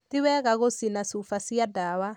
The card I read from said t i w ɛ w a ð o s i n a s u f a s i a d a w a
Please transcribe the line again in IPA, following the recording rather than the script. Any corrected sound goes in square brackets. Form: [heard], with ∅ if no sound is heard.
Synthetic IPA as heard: t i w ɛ [ɣ] a [ɣ] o s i n a s u f a s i a d a w a